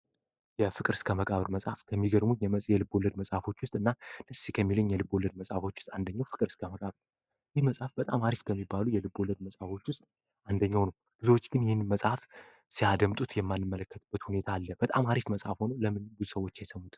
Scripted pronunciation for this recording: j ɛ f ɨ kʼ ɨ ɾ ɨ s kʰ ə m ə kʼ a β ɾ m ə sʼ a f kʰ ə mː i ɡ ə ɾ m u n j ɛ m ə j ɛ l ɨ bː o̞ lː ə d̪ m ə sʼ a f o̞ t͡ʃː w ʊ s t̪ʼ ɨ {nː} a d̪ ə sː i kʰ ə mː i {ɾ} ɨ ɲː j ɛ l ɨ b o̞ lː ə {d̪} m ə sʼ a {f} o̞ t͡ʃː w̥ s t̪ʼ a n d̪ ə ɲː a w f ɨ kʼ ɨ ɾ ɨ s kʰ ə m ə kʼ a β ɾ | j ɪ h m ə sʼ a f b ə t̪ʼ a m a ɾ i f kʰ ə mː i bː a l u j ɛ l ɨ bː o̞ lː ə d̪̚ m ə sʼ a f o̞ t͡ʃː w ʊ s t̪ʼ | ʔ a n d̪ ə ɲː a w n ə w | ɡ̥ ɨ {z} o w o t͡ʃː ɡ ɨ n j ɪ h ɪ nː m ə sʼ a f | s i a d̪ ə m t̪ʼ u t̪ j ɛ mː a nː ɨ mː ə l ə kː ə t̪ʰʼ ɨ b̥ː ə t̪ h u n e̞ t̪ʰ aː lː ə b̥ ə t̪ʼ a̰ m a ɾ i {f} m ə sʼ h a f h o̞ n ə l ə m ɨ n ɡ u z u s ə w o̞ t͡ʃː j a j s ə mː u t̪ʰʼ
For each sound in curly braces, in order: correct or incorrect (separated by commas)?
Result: correct, incorrect, correct, correct, correct, correct